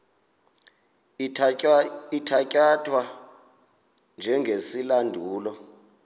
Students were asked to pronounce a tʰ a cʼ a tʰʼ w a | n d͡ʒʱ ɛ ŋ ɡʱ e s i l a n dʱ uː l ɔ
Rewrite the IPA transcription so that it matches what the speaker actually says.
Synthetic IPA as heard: i tʰ a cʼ a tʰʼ w a | n d͡ʒʱ ɛ ŋ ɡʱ e s i l a n dʱ uː l ɔ